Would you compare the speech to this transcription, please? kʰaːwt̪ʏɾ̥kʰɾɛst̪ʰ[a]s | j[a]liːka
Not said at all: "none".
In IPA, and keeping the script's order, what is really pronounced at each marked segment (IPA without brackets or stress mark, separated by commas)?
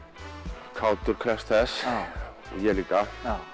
ɛ, ɛ